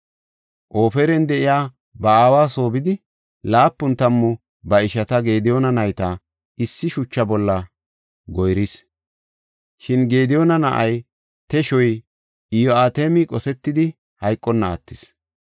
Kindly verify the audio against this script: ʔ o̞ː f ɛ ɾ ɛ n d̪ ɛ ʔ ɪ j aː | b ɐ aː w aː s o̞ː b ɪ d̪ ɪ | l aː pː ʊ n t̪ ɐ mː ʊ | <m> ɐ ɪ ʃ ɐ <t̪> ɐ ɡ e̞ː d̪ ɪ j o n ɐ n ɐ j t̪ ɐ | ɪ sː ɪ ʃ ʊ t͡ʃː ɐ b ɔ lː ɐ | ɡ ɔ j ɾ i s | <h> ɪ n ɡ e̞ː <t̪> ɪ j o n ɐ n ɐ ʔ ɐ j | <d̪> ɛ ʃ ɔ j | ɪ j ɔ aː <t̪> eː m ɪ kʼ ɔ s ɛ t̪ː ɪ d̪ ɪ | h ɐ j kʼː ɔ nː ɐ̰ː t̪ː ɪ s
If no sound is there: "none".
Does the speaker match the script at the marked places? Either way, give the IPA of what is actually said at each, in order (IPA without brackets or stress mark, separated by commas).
b, t̪, ʃ, d̪, t̪, t̪